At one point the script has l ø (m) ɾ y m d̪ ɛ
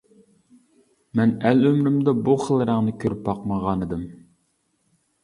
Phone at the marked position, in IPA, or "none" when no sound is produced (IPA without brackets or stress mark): m